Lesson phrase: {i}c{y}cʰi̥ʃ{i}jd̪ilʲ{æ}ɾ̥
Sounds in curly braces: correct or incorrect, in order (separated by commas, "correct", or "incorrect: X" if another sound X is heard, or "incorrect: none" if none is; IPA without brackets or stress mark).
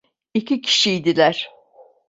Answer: correct, incorrect: i, correct, correct